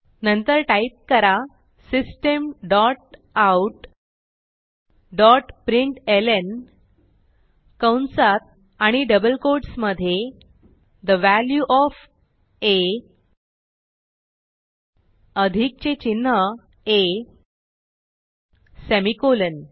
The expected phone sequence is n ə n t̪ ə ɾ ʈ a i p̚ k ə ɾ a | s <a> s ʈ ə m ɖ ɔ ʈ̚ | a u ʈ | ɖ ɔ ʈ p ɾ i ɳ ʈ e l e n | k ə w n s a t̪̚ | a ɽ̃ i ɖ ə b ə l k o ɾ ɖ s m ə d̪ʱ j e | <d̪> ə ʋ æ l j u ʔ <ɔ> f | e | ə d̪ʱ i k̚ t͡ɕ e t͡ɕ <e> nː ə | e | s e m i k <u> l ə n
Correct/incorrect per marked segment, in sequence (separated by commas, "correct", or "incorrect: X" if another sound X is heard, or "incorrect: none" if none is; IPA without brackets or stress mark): incorrect: i, correct, correct, incorrect: i, incorrect: o